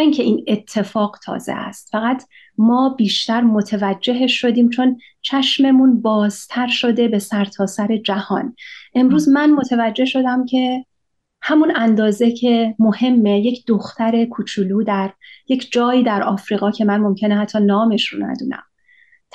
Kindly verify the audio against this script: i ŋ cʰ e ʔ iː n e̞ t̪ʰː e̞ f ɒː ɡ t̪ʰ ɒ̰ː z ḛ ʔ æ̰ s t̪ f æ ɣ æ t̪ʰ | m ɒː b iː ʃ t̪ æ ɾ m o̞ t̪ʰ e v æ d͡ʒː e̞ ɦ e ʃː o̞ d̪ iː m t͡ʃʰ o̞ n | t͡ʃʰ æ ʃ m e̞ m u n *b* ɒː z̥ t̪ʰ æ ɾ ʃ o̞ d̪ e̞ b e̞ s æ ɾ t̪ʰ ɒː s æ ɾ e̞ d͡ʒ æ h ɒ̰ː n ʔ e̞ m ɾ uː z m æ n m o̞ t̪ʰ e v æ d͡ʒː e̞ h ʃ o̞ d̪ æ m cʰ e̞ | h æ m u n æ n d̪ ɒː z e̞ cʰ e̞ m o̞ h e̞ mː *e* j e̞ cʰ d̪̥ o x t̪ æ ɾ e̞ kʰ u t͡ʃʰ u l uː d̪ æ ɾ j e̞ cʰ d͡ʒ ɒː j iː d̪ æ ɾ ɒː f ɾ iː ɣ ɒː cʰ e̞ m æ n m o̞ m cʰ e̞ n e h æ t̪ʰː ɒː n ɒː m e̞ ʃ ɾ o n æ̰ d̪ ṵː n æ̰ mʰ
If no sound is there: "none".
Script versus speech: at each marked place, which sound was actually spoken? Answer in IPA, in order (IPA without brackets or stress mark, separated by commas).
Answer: b, e